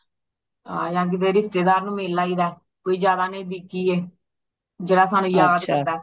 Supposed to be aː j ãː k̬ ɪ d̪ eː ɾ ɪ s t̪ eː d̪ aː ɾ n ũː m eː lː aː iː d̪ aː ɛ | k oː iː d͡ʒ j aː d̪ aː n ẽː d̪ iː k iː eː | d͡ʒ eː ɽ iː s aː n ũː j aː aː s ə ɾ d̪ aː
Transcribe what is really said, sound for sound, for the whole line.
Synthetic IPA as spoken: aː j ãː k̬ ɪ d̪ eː ɾ ɪ s t̪ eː d̪ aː ɾ n ũː m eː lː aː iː d̪ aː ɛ | k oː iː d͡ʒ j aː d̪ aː n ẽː d̪ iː k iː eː | d͡ʒ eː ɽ aː s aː n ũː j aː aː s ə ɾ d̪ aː